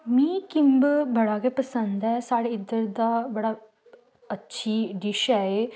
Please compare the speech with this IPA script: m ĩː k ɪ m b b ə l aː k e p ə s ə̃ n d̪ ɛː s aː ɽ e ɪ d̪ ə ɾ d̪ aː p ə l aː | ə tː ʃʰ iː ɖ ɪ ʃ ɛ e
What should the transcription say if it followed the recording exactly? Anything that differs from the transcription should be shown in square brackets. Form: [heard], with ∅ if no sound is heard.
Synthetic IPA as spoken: m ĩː k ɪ m b b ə [ɽ] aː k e p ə s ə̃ n d̪ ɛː s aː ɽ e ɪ d̪ ə ɾ d̪ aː [b] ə [ɽ] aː | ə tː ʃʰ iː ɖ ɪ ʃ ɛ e